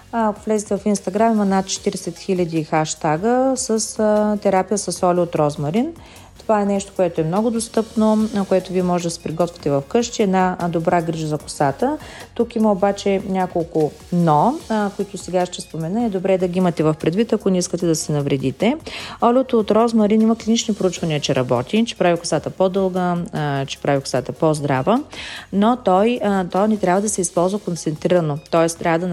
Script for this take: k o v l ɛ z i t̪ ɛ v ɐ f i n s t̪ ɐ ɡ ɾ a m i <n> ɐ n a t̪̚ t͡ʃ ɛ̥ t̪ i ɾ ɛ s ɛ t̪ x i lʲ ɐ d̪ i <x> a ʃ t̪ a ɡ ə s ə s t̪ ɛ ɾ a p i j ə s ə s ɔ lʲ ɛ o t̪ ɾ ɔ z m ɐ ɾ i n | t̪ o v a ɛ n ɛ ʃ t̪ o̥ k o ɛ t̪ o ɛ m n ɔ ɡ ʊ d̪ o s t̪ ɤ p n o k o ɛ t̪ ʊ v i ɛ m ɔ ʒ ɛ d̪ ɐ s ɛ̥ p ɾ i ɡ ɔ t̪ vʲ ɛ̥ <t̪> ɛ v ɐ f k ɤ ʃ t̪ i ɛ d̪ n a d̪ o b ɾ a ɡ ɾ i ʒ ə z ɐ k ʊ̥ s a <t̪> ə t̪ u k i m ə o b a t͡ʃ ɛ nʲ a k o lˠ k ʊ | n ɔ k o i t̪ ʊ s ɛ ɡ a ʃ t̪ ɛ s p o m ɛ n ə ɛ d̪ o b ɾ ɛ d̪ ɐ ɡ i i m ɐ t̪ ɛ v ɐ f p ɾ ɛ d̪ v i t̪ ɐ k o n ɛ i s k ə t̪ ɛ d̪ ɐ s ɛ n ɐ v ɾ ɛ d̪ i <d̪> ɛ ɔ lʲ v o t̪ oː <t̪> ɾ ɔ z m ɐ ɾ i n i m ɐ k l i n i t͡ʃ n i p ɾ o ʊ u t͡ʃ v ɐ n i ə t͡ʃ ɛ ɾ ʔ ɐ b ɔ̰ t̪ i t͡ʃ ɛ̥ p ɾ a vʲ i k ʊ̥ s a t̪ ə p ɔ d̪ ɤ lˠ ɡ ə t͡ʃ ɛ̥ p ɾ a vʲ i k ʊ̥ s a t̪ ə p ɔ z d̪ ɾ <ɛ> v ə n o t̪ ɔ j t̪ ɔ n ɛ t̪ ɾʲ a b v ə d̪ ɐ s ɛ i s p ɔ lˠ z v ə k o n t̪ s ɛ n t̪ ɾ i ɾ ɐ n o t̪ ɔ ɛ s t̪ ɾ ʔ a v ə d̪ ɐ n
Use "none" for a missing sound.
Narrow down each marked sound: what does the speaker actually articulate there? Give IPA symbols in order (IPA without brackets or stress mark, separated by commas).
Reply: m, x, t̪, t̪, t̪, t̪, a